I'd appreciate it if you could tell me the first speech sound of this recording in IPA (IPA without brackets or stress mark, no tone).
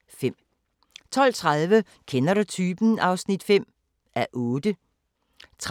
f